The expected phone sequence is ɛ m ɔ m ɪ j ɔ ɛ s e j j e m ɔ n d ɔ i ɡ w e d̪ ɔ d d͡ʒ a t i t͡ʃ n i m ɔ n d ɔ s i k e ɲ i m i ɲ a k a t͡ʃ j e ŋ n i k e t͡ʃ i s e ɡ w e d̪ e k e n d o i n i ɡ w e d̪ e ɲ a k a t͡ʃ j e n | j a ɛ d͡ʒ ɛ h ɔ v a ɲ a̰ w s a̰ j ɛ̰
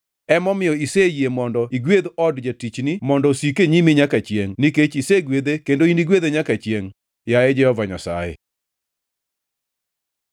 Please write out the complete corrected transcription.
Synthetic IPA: ɛ m ɔ m ɪ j ɔ i s e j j e m ɔ n d ɔ i ɡ w e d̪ ɔ d d͡ʒ a t i t͡ʃ n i m ɔ n d ɔ s i k e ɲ i m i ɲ a k a t͡ʃ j e ŋ n i k e t͡ʃ i s e ɡ w e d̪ e k e n d o i n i ɡ w e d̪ e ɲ a k a t͡ʃ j e ŋ | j a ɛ d͡ʒ ɛ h ɔ v a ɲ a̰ s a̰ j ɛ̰